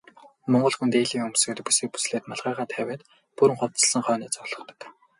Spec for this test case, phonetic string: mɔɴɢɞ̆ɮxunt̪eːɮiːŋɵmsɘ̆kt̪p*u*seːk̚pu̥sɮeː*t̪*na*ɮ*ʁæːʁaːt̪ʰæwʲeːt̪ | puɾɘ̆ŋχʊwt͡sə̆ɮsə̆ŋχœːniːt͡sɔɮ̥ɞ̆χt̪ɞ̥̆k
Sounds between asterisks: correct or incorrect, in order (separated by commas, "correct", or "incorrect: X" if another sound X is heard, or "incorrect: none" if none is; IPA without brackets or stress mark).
correct, correct, correct